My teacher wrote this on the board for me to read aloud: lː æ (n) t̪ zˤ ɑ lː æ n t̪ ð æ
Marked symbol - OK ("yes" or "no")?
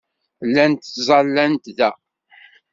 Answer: yes